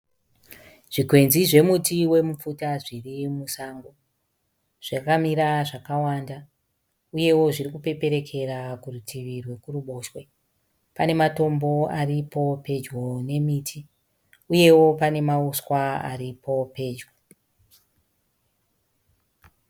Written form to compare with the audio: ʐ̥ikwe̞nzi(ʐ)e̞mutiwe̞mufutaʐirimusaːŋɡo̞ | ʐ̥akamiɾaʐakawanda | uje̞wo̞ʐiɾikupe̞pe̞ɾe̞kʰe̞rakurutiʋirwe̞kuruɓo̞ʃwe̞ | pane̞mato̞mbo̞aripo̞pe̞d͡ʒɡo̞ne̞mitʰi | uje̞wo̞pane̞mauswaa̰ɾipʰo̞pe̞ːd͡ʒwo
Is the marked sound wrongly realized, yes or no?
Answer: no